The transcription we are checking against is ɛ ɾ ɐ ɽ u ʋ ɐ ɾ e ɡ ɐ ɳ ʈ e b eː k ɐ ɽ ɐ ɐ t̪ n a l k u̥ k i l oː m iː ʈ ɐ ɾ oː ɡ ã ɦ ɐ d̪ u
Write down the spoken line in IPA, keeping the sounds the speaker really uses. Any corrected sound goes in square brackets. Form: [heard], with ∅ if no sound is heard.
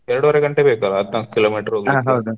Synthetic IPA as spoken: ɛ ɾ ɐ ɽ u ʋ ɐ ɾ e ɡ ɐ ɳ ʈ e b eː k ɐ [l] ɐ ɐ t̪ n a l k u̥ k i l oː m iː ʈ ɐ ɾ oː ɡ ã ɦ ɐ d̪ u